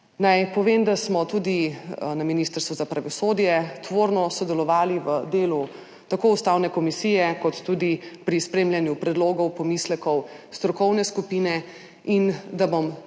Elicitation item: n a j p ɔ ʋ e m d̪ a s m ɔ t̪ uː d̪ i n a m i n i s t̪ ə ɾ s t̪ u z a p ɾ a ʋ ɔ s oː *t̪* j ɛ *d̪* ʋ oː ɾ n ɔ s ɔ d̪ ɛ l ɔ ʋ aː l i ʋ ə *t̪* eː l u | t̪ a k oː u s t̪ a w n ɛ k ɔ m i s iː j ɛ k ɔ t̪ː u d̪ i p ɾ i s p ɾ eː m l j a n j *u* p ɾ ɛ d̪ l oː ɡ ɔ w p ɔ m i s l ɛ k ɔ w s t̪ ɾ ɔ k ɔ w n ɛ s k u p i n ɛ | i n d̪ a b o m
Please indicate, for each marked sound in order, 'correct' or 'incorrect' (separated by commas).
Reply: incorrect, incorrect, incorrect, correct